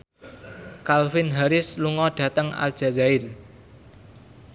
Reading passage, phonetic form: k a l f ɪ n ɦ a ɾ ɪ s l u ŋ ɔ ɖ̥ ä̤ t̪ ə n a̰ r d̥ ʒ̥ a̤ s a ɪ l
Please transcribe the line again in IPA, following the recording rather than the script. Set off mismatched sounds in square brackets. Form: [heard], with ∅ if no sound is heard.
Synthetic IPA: k a l f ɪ n ɦ a ɾ ɪ s l u ŋ ɔ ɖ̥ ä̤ t̪ ə [ŋ] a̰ [l] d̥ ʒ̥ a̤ [z] a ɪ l